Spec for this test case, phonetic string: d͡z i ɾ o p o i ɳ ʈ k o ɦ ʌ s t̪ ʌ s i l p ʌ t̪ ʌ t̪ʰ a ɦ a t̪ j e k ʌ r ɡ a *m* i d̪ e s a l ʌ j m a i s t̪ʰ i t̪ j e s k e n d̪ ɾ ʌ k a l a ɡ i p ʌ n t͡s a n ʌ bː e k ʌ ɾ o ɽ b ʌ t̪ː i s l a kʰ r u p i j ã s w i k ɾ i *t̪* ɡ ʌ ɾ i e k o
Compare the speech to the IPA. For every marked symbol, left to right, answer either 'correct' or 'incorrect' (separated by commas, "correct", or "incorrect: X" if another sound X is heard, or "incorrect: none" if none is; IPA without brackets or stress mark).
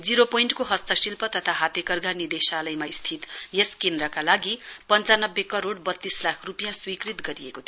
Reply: incorrect: n, correct